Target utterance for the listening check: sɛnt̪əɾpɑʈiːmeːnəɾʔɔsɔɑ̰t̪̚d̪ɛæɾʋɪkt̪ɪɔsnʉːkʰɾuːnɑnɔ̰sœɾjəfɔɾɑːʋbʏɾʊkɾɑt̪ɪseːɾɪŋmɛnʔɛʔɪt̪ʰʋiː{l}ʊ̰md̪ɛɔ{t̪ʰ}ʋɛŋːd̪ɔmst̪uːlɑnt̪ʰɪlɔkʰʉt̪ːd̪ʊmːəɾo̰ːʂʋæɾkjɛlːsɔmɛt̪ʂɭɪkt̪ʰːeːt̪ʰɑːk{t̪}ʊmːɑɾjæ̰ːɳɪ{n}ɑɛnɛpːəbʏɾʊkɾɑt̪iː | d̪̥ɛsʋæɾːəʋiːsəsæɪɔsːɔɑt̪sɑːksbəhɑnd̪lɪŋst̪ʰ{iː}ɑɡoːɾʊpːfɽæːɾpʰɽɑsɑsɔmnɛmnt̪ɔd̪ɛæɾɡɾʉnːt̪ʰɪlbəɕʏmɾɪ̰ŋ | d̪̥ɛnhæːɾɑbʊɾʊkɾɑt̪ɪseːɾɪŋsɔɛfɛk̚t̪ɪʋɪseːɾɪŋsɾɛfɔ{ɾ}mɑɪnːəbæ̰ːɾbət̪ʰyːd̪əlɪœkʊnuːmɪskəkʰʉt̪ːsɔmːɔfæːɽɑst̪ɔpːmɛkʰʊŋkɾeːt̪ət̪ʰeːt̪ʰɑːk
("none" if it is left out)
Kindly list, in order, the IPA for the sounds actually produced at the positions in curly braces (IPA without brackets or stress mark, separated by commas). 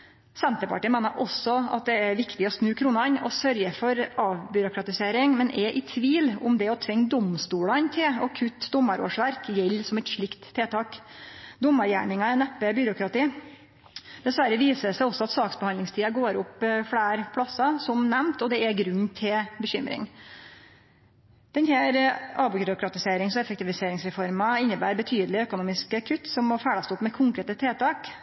l, t̪ʰ, d̪, ŋ, iː, ɾ